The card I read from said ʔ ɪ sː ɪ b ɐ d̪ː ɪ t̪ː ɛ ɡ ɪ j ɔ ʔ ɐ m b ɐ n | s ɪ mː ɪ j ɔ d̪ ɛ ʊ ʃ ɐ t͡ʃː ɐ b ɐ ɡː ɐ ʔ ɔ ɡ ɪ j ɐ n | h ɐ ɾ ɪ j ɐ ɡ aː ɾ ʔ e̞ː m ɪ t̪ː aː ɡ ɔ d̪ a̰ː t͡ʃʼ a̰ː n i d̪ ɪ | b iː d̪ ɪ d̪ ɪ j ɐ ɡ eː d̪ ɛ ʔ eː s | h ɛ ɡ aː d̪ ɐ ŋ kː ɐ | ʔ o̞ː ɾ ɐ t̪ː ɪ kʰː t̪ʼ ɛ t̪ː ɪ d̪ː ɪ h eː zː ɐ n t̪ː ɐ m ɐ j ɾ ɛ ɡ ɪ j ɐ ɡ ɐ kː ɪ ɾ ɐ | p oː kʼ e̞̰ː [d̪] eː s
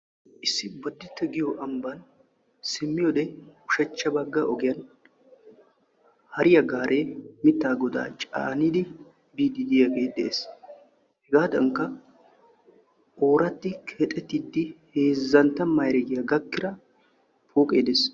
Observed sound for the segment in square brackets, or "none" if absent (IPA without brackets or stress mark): d̪